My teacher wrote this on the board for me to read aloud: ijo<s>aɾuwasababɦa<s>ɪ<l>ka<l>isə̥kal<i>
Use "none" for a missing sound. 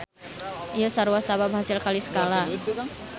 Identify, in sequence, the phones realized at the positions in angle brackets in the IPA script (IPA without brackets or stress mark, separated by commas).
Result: s, s, l, l, a